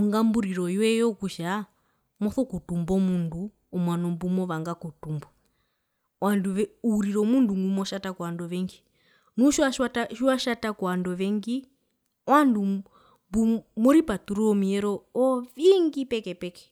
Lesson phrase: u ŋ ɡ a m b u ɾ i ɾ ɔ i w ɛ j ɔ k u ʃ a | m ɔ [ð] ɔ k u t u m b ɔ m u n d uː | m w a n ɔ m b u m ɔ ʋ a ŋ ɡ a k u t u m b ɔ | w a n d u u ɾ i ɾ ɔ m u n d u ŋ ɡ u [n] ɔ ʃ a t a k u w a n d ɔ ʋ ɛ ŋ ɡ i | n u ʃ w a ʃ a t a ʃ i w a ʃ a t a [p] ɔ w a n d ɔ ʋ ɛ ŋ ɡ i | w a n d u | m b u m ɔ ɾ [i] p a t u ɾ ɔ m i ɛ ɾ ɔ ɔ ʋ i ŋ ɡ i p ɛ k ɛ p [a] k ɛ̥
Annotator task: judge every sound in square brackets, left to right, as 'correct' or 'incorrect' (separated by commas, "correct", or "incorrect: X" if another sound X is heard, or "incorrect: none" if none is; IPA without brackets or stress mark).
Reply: incorrect: θ, incorrect: m, incorrect: k, correct, incorrect: ɛ